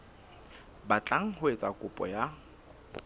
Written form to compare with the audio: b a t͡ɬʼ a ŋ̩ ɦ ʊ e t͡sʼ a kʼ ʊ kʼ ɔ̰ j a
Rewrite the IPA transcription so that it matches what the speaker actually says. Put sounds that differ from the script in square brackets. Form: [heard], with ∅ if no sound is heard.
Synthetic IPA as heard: b a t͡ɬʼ a ŋ̩ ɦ ʊ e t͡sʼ a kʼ ʊ [pʼ] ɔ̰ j a